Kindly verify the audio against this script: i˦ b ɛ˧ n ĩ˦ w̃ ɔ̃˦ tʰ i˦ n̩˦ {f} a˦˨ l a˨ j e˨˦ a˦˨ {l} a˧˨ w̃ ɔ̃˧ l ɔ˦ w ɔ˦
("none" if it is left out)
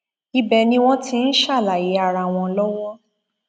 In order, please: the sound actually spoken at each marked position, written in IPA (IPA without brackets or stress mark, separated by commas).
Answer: ʃ, ɾ